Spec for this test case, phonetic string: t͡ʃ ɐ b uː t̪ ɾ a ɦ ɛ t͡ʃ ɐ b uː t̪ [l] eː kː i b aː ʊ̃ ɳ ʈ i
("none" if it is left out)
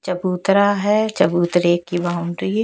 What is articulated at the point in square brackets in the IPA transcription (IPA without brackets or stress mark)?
ɾ